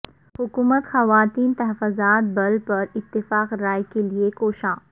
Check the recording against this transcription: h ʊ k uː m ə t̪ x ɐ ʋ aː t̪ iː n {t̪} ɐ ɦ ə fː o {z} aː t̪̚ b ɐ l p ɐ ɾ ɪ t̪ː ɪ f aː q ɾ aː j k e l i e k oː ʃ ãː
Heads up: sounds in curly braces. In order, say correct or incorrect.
correct, correct

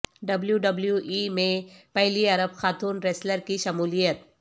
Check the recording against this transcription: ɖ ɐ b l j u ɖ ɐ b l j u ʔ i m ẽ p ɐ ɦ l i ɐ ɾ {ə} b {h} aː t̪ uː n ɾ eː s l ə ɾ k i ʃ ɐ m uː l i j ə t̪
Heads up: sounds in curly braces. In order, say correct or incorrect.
correct, incorrect: x

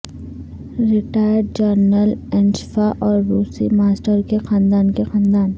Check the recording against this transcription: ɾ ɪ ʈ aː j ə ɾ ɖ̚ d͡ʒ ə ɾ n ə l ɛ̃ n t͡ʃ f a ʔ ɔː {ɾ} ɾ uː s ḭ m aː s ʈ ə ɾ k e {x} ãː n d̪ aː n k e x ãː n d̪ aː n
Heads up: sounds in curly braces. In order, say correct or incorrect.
correct, correct

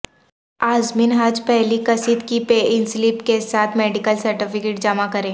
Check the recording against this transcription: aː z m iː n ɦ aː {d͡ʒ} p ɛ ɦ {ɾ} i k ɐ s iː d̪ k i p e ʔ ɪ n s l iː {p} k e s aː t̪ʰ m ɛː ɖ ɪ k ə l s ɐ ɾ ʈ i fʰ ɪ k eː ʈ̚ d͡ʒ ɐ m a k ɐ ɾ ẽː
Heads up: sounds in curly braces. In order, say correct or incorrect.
correct, incorrect: l, correct

